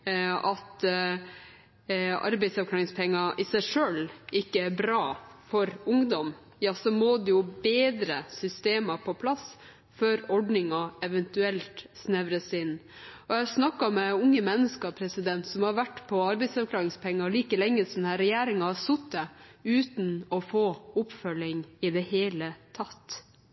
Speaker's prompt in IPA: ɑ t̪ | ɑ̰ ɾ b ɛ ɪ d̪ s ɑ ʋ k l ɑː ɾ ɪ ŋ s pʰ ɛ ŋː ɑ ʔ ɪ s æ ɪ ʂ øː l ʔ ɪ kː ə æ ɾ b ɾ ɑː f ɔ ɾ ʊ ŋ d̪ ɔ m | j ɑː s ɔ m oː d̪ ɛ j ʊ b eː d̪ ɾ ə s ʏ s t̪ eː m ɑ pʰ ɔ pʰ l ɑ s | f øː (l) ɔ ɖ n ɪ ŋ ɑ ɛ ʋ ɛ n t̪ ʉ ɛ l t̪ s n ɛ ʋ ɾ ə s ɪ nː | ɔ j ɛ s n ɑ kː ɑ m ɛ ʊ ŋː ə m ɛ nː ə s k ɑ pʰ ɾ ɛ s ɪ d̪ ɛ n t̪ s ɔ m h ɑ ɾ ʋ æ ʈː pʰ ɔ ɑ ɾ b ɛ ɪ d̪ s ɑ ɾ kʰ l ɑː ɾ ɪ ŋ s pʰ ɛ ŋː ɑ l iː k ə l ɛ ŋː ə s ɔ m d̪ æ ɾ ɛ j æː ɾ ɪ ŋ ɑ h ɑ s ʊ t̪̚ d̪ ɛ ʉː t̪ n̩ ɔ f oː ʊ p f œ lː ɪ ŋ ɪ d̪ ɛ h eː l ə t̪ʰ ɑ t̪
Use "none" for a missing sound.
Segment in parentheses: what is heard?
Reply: ɾ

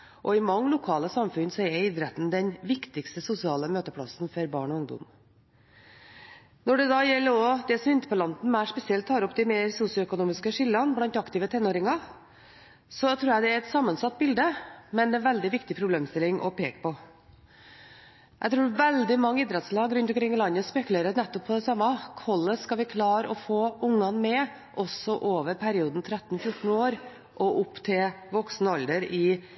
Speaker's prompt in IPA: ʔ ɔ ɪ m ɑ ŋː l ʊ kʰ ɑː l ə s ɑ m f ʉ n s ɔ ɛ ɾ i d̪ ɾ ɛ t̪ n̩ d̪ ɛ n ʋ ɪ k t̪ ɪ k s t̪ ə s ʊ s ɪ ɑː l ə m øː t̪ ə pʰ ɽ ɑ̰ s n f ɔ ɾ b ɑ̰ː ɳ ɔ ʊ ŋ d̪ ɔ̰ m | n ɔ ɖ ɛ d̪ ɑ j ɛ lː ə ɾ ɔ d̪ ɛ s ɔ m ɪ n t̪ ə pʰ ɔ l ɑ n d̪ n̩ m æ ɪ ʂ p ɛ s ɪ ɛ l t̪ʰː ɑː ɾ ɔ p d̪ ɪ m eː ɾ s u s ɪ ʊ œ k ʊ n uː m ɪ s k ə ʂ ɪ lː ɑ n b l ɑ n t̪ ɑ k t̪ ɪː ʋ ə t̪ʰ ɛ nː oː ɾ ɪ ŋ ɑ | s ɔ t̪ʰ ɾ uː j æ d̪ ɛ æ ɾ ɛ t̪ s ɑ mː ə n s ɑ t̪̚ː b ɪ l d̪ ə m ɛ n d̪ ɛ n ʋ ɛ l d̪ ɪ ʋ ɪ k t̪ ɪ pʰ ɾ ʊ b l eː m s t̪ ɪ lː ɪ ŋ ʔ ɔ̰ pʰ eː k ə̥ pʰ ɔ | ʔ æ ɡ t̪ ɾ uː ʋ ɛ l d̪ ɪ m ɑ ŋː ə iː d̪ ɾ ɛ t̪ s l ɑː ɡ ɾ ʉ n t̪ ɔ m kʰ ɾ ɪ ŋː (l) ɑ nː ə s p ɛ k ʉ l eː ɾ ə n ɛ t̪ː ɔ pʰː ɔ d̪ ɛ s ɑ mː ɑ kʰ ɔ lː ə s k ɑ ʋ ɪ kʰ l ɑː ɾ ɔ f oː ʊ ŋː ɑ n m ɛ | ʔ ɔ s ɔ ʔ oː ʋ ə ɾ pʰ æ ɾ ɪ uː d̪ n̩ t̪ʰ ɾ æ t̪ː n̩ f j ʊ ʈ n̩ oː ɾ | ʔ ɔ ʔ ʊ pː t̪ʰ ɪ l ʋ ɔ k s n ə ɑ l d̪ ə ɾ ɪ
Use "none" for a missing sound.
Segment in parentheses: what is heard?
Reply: l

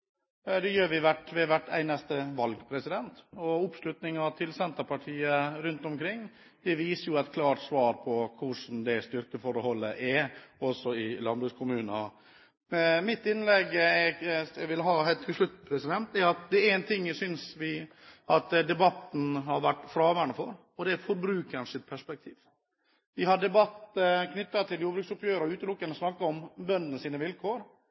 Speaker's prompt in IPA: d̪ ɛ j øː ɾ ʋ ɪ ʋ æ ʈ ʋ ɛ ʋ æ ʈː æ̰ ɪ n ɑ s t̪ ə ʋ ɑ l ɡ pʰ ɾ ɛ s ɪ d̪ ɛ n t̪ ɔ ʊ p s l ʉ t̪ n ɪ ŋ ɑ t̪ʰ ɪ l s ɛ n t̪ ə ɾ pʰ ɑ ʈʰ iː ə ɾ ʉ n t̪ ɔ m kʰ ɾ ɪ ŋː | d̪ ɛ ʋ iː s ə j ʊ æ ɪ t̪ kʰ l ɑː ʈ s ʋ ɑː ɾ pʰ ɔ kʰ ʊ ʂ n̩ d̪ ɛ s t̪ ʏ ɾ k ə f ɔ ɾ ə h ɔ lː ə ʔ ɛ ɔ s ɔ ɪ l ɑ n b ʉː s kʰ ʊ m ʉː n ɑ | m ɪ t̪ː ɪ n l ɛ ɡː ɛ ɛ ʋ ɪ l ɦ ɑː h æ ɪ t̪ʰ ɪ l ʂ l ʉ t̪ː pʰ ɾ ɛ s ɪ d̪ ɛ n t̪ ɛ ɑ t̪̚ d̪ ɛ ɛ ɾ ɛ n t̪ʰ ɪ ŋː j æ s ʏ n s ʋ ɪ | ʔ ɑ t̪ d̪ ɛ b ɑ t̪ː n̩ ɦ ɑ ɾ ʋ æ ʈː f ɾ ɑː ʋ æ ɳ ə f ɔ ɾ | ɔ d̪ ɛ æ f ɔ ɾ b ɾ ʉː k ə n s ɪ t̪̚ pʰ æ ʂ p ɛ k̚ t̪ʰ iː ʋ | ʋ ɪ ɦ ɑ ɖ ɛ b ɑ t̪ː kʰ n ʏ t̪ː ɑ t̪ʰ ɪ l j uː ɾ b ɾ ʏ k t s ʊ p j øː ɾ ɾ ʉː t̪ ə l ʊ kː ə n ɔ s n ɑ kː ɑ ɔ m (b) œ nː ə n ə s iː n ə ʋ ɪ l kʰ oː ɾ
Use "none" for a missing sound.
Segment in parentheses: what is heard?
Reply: b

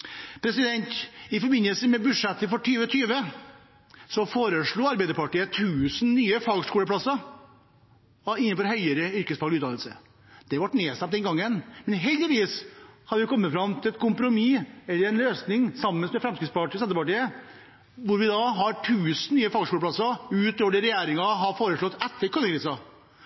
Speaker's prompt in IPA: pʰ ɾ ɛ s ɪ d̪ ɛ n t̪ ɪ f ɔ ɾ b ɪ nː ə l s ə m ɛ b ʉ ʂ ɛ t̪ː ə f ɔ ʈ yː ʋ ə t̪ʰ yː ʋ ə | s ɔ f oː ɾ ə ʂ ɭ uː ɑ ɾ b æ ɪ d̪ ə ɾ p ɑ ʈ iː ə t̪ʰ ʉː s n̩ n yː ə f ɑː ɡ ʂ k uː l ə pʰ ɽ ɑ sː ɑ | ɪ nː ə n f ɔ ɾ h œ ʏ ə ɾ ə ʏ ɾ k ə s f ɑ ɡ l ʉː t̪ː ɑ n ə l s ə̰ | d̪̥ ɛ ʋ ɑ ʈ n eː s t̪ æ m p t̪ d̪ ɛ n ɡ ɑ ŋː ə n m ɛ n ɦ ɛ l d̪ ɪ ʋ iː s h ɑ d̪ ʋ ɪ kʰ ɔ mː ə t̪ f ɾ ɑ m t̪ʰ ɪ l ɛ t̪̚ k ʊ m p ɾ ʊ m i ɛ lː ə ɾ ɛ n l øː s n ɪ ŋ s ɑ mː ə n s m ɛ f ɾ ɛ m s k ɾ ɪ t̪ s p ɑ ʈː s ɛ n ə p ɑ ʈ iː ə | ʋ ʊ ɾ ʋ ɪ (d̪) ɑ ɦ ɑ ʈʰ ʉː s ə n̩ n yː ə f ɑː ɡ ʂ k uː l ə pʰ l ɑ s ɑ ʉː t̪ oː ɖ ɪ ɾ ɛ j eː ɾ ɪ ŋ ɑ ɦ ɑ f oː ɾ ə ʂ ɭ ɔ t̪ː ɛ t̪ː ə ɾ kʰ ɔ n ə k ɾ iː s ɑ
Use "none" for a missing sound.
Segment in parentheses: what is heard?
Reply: d̪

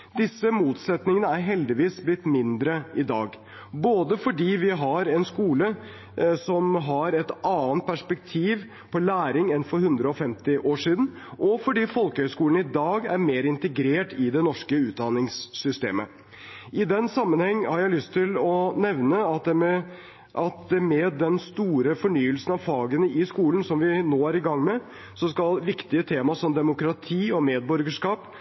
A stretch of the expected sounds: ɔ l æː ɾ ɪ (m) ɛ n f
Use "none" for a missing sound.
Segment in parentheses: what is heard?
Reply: ŋ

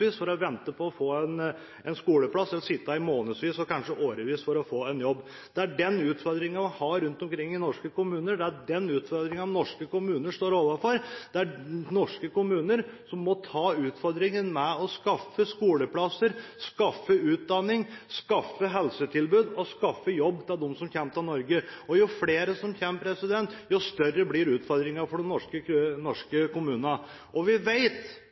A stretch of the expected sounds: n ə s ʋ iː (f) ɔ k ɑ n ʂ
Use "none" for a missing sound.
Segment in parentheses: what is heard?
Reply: s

